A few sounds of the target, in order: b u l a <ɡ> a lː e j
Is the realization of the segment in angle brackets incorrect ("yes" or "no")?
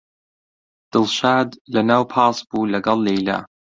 no